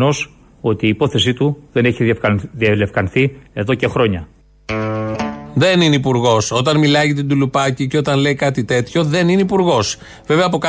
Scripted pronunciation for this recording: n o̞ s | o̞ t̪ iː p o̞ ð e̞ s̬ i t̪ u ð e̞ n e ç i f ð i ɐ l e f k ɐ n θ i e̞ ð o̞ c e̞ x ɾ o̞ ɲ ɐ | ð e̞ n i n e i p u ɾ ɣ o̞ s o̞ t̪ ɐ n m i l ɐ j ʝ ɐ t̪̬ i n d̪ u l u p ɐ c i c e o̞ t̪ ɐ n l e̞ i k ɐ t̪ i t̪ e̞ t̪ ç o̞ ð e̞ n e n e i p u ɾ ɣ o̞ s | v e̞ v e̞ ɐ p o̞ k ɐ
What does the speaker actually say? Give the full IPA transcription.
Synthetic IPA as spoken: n o̞ s | o̞ t̪ iː p o̞ θ e̞ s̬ i t̪ u ð e̞ n e ç i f ð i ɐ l e f k ɐ n θ i e̞ ð o̞ c e̞ x ɾ o̞ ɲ ɐ | ð e̞ n i n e i p u ɾ ɣ o̞ s o̞ t̪ ɐ n m i l ɐ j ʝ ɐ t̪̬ i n d̪ u l u p ɐ c i c e o̞ t̪ ɐ n l e̞ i k ɐ t̪ i t̪ e̞ t̪ ç o̞ ð e̞ n i n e i p u ɾ ɣ o̞ s | v e̞ v e̞ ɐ p o̞ k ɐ